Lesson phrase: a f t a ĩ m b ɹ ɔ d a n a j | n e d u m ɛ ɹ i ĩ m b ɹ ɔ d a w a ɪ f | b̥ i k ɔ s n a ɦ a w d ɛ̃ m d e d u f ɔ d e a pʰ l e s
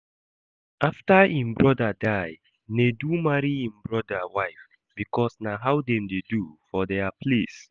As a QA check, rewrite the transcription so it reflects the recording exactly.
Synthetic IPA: a f t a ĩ m b ɹ ɔ d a d a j | n e d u m a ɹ i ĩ m b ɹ ɔ d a w a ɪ f | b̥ i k ɔ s n a ɦ a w d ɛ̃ m d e d u f ɔ d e a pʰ l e s